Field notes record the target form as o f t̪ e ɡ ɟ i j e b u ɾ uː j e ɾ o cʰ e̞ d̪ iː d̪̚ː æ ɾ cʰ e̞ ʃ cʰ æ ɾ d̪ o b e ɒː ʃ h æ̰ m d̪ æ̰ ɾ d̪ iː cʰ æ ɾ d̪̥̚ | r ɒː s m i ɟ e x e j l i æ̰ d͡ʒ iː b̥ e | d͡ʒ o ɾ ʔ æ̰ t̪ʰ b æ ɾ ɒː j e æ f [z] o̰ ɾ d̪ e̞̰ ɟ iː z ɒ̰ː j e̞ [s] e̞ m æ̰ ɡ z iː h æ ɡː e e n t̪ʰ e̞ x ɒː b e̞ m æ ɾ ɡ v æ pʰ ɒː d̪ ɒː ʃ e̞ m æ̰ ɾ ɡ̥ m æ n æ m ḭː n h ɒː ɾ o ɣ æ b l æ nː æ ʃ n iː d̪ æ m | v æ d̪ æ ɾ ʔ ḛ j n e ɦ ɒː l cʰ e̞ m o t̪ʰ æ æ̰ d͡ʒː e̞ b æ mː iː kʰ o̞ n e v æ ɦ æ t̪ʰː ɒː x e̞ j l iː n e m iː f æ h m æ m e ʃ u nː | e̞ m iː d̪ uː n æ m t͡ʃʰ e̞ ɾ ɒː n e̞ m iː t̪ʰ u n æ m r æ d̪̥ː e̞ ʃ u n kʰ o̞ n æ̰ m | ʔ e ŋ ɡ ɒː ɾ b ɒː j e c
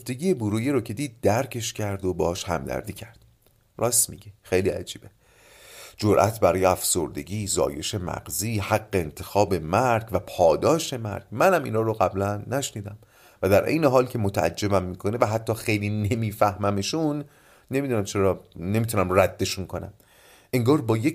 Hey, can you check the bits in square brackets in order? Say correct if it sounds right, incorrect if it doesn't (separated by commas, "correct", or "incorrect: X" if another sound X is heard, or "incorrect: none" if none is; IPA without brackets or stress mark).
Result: incorrect: s, incorrect: ʃ